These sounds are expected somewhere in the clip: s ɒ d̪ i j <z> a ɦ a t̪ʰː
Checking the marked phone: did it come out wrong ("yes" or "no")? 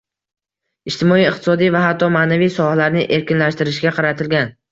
yes